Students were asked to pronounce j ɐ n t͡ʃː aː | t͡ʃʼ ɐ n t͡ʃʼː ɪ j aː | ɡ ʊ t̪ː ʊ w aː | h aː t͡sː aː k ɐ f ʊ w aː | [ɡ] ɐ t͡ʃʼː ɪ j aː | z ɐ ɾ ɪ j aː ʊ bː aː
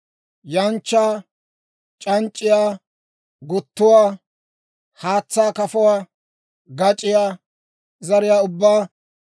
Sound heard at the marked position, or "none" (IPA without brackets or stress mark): ɡ